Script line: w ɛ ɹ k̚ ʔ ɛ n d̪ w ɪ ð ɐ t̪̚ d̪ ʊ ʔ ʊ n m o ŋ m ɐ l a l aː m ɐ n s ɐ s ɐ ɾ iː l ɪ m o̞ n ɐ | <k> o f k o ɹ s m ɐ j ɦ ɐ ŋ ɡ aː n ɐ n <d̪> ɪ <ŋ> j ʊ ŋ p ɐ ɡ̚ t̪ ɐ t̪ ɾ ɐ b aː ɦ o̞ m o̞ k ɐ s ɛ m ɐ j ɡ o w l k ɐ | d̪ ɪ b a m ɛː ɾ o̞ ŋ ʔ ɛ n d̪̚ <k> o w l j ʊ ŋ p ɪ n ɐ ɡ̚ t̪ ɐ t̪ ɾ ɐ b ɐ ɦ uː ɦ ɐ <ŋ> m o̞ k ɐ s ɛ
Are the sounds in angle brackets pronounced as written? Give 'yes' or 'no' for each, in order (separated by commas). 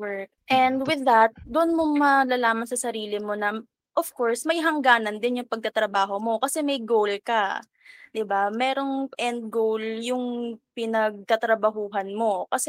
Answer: no, yes, no, no, no